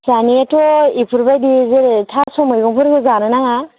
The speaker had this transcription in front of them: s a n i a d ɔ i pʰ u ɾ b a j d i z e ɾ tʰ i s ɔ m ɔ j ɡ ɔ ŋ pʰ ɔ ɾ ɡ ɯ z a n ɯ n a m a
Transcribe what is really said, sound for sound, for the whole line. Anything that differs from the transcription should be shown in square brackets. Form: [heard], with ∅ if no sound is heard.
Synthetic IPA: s a n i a [t] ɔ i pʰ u ɾ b a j d i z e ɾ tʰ [a] s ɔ m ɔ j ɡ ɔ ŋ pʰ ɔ ɾ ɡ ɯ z a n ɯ n a [ŋ] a